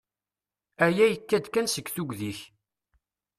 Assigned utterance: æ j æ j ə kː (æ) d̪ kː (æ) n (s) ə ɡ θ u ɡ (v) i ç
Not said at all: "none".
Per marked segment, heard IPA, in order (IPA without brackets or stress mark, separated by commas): æ, æ, s, ð